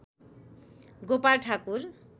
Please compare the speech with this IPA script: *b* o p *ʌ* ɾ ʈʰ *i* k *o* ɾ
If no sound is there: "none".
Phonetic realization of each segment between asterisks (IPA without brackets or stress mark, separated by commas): ɡ, a, a, u